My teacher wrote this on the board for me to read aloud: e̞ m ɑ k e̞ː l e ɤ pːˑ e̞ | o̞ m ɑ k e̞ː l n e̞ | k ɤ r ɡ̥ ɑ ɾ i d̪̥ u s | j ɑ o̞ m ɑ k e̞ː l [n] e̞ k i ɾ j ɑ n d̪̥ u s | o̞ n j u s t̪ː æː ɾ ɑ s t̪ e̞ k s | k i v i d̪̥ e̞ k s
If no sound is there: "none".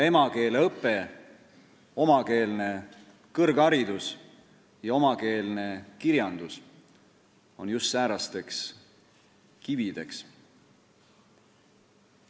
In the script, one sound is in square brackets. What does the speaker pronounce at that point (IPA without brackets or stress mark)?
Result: n